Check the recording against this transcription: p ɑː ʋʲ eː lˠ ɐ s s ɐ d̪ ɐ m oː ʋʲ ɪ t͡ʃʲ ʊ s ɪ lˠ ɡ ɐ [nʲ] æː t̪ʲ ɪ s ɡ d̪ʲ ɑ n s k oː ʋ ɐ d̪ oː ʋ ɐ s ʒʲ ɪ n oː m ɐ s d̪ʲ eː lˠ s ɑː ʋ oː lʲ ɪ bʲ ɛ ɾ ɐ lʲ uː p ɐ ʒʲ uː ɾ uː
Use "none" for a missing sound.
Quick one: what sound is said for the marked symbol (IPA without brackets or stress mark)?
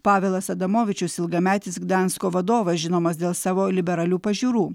mʲ